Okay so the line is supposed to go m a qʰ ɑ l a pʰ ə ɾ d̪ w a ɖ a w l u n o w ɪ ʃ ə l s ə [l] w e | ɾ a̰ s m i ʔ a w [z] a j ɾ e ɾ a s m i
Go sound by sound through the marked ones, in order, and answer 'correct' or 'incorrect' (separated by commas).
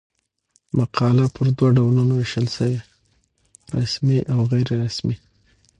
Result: incorrect, incorrect